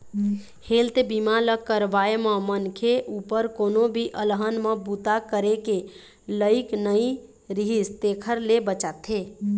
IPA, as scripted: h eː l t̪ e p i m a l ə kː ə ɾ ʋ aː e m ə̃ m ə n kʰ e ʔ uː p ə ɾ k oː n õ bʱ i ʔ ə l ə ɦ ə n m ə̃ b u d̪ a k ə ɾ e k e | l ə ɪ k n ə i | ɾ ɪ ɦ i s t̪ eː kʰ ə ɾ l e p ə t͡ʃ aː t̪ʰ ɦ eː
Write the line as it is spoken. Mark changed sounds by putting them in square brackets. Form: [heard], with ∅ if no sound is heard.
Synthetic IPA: h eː l t̪ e [b] i m a l ə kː ə ɾ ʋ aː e m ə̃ m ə n kʰ e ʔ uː p ə ɾ k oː n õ bʱ i ʔ ə l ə ɦ ə n m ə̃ b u [t̪] a k ə ɾ e k e | l ə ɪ k n ə i | ɾ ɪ ɦ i s t̪ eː kʰ ə ɾ l e [b] ə t͡ʃ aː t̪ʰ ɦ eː